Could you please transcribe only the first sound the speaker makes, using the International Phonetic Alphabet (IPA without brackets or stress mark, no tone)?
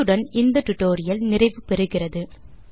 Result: ɯ